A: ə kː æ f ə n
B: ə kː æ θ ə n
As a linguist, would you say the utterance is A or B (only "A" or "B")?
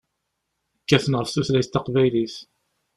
B